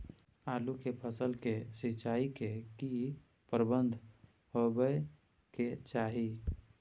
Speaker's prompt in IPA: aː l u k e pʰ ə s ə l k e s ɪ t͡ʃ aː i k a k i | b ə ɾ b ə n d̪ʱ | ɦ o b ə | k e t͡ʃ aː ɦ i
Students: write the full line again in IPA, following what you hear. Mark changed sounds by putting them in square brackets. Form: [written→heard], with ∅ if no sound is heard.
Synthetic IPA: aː l u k e pʰ ə s ə l k e s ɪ t͡ʃ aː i k [a→e] k i | [b→p] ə ɾ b ə n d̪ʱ | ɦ o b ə | k e t͡ʃ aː ɦ i